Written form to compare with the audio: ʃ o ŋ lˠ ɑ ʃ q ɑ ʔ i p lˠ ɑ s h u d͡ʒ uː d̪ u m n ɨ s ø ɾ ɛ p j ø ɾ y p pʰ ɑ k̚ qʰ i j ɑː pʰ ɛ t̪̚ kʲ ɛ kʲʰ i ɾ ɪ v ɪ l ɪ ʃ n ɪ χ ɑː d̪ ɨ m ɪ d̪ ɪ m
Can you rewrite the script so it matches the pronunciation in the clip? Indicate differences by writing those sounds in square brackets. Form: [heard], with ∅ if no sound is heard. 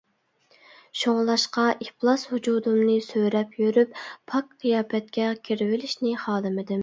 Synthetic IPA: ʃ o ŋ lˠ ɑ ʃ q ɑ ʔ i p lˠ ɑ s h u d͡ʒ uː d̪ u m n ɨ s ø ɾ ɛ p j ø ɾ y p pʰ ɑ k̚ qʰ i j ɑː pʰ ɛ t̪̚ kʲ ɛ kʲʰ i ɾ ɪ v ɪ l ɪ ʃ n ɪ χ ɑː d̪ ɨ m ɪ d̪ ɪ m